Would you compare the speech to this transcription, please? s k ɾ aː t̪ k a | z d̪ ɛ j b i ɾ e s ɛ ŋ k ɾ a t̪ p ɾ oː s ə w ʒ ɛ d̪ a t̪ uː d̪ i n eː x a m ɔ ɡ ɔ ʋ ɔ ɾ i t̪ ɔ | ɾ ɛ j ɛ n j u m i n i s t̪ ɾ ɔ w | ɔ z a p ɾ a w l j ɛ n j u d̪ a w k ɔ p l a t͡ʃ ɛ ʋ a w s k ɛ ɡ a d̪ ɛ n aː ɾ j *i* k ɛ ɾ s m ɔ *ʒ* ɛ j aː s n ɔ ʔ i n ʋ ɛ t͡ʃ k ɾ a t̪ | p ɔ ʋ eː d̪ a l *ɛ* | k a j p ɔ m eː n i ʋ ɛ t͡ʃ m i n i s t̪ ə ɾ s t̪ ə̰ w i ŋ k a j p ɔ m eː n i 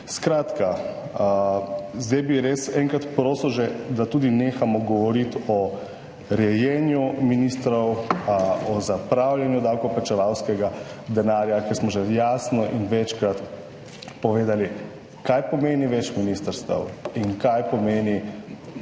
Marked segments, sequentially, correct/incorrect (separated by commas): incorrect, correct, incorrect